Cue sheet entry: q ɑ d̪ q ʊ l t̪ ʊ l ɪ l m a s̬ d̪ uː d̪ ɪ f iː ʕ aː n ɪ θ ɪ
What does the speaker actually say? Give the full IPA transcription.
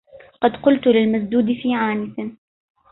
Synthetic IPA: q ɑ d̪ q ʊ l t̪ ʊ l ɪ l m a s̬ d̪ uː d̪ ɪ f iː ʕ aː n ɪ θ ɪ